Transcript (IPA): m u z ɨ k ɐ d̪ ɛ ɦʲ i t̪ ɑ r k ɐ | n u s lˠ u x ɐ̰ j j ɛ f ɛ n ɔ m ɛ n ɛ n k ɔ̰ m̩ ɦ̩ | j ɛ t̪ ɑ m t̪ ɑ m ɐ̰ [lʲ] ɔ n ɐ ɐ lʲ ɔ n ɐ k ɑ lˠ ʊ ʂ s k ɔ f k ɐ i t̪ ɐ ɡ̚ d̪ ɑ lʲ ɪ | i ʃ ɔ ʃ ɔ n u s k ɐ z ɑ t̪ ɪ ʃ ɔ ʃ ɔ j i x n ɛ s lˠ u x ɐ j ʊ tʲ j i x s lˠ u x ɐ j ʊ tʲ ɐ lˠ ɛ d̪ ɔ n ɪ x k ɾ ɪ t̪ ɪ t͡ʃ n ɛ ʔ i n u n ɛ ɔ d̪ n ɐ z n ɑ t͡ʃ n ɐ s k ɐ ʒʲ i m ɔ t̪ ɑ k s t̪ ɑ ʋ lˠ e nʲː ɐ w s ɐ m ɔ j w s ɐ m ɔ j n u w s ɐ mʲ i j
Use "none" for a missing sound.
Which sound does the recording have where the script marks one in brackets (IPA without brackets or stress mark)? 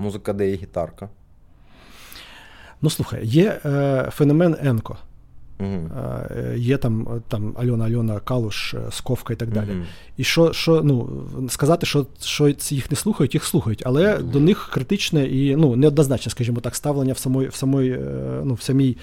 lʲ